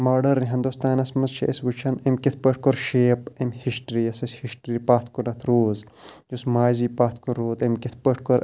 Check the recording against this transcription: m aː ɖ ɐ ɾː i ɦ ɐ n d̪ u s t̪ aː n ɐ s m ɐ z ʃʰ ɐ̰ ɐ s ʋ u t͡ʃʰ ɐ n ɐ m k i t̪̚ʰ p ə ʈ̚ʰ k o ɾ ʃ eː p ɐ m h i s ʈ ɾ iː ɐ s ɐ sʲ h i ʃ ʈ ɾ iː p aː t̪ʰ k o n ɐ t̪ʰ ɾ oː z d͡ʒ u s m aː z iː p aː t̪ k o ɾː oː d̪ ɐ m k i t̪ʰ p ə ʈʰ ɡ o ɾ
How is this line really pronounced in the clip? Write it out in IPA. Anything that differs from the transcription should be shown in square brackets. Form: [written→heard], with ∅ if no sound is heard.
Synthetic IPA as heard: m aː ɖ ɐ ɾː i ɦ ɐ n d̪ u s t̪ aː n ɐ s m ɐ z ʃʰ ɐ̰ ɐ s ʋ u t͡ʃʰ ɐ n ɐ m k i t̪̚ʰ p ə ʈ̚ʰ k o ɾ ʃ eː p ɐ m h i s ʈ ɾ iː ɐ s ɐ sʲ h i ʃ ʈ ɾ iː p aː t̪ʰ k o n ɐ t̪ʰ ɾ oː z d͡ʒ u s m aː z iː p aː t̪ k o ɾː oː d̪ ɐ m k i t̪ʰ p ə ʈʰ [ɡ→k] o ɾ